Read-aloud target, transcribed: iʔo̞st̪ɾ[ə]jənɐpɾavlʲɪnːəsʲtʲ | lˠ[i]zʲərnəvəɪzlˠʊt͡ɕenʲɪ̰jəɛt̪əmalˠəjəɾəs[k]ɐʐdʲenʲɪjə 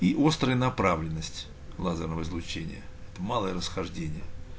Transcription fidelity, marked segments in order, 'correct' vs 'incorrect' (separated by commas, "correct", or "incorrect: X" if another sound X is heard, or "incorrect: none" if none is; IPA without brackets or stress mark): correct, incorrect: a, incorrect: x